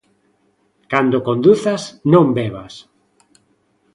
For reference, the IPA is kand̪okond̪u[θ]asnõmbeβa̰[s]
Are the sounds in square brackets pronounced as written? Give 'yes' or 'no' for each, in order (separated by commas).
yes, yes